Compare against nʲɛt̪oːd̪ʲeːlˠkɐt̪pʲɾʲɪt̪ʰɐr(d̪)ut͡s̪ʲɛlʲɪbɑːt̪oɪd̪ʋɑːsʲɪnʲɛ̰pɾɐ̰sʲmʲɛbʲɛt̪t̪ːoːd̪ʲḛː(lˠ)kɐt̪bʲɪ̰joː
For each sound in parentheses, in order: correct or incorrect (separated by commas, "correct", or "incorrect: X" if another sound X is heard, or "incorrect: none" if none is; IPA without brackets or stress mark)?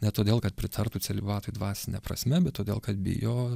incorrect: t̪, correct